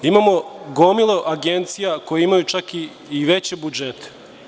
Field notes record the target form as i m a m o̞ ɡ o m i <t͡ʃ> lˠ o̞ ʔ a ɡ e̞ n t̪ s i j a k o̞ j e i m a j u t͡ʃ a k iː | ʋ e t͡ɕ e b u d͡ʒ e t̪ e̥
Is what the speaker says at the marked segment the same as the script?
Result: no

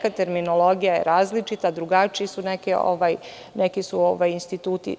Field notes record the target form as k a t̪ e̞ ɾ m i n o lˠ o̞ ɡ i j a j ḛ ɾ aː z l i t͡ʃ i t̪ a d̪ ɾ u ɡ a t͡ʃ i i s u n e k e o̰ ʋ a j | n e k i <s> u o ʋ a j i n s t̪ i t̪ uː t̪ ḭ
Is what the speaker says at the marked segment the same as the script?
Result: yes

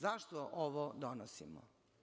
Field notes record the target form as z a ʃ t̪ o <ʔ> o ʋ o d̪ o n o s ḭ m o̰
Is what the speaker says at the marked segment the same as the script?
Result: yes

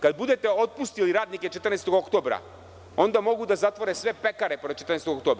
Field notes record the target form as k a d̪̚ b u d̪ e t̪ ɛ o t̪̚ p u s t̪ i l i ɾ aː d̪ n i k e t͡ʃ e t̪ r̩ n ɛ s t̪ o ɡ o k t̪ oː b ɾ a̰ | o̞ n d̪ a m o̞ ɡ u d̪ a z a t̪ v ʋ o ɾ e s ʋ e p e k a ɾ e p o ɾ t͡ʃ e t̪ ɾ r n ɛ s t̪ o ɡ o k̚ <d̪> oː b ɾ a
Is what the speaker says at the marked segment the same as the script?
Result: no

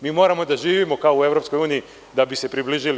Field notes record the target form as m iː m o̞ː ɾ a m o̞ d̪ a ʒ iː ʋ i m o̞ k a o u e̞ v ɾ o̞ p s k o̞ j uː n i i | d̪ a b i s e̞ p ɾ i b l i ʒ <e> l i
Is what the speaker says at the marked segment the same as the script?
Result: no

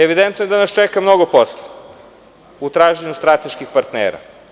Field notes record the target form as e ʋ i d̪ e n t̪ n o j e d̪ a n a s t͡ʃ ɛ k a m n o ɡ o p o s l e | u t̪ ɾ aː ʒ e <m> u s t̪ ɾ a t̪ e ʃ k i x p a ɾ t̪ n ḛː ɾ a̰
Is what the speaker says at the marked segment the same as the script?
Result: no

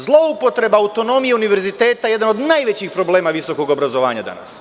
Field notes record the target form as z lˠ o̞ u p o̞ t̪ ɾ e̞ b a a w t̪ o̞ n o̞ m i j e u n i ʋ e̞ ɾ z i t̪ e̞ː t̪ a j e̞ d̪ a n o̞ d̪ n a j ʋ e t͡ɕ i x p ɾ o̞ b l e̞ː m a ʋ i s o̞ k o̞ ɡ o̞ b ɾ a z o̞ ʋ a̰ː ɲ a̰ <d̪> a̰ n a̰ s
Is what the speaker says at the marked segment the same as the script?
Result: yes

